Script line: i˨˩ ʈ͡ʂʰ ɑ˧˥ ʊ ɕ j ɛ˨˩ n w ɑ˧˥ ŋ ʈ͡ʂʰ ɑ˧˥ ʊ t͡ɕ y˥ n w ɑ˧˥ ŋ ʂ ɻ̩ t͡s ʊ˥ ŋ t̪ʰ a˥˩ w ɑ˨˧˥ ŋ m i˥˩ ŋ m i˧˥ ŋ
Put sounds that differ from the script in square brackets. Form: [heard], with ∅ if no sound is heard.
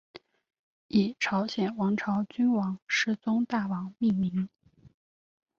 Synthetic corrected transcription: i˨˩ ʈ͡ʂʰ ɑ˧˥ ʊ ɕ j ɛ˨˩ n w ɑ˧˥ ŋ ʈ͡ʂʰ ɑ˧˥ ʊ t͡ɕ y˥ n w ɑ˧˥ ŋ ʂ ɻ̩ t͡s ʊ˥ ŋ [t̪] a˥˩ w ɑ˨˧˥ ŋ m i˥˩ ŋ m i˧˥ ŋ